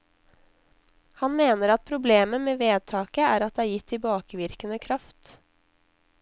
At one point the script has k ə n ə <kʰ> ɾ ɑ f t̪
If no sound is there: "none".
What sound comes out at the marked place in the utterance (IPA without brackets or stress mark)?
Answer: kʰ